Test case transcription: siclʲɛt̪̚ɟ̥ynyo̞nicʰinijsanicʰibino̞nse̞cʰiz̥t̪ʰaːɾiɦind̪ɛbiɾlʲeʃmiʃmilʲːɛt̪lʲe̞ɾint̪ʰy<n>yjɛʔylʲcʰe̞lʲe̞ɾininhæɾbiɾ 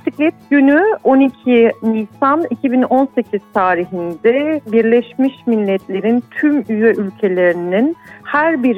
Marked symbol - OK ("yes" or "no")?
no